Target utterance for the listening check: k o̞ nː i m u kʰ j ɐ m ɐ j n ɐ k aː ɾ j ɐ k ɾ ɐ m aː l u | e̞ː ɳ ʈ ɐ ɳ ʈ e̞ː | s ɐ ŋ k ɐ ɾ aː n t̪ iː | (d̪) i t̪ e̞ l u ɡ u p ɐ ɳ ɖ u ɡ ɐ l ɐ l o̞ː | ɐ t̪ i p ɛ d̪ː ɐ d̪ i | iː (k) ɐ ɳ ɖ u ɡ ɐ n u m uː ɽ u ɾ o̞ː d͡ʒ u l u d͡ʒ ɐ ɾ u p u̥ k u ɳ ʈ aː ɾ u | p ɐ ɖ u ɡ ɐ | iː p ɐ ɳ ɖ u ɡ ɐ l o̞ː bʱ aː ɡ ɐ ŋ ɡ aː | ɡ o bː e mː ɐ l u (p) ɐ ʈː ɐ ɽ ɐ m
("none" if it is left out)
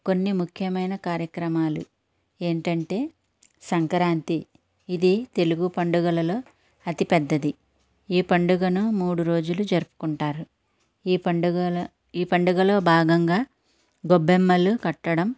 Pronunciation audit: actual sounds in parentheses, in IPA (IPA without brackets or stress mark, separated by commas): d̪, p, k